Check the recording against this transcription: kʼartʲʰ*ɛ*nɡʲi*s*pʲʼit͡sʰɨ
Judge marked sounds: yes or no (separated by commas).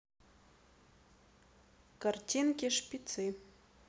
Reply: no, no